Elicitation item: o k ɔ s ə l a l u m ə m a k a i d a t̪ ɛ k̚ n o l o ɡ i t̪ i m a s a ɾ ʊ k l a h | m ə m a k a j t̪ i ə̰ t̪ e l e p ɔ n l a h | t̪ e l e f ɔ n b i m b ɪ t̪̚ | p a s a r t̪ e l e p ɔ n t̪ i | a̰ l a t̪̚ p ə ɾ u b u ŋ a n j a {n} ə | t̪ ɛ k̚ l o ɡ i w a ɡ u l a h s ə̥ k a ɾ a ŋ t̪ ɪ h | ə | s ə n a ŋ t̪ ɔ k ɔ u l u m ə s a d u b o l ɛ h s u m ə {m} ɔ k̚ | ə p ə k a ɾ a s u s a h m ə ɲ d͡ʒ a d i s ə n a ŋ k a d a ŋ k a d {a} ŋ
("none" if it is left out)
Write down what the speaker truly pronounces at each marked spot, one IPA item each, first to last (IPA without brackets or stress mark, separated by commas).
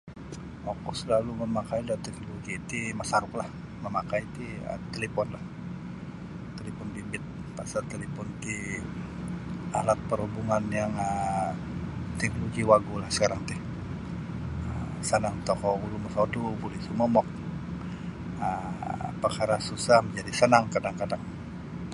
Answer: ŋ, m, a